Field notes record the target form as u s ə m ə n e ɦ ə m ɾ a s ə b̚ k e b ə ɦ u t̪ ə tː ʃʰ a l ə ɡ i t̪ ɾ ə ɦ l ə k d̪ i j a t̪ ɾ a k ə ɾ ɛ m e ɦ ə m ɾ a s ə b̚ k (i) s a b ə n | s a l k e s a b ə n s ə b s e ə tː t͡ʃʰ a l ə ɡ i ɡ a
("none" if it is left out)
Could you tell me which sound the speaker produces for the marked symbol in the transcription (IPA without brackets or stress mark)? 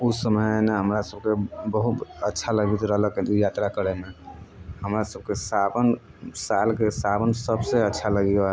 e